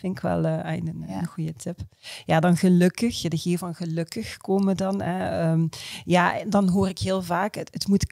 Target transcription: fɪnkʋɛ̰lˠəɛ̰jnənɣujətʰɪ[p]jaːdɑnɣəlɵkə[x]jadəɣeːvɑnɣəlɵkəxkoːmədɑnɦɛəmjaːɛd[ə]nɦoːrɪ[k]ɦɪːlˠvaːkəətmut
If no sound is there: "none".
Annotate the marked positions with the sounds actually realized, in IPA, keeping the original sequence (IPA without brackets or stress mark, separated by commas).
p, x, ɑ, k